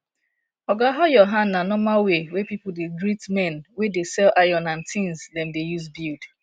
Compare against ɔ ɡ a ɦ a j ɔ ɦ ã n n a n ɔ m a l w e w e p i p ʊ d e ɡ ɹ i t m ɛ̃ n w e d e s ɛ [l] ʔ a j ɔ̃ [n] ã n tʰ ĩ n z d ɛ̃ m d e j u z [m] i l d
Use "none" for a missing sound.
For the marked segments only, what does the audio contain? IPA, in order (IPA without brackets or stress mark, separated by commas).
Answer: l, n, b